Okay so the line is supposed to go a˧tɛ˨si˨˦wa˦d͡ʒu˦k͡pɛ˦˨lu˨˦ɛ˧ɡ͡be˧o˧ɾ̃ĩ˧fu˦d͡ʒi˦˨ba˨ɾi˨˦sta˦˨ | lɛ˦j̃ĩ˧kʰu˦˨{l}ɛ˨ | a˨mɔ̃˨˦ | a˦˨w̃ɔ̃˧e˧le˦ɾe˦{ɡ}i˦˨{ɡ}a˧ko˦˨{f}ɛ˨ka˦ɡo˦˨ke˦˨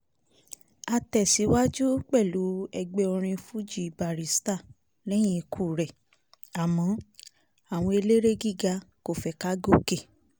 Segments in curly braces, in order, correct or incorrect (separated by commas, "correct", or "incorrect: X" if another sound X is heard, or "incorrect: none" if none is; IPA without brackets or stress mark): incorrect: ɾ, correct, correct, correct